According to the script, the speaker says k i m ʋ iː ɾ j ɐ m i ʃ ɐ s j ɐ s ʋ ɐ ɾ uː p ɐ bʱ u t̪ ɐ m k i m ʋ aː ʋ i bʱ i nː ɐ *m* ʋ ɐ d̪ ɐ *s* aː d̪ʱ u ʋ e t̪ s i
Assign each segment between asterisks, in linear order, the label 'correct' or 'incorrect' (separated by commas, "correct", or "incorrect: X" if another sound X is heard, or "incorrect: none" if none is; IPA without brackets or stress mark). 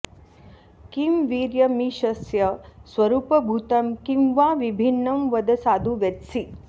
correct, correct